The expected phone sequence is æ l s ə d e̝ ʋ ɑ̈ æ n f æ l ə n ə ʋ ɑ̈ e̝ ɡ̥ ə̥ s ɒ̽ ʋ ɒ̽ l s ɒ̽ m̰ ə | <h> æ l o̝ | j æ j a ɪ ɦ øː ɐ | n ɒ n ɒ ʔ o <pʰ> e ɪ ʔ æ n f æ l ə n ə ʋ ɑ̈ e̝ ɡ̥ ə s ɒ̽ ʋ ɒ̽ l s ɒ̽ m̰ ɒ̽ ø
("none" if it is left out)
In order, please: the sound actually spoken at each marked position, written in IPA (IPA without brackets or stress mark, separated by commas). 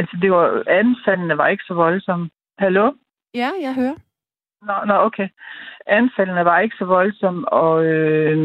h, kʰ